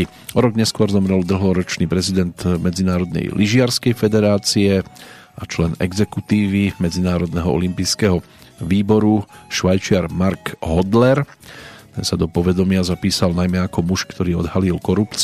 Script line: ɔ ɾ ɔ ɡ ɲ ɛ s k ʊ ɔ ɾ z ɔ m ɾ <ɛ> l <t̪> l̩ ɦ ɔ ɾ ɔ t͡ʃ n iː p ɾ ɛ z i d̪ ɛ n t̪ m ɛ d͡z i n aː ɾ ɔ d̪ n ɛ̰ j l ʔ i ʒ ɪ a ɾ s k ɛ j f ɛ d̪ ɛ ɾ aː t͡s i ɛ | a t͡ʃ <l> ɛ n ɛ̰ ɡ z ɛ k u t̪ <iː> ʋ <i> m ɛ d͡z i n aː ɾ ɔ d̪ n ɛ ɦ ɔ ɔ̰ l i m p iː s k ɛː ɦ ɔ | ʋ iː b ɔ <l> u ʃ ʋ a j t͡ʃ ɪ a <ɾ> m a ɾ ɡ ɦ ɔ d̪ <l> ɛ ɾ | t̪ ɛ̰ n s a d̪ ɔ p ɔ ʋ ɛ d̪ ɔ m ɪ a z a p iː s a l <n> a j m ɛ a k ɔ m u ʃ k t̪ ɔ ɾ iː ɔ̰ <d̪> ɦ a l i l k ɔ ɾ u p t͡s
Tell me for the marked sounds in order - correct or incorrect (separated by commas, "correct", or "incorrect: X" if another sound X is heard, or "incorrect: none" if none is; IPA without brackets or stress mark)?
correct, incorrect: d̪, correct, correct, correct, incorrect: ɾ, correct, correct, correct, correct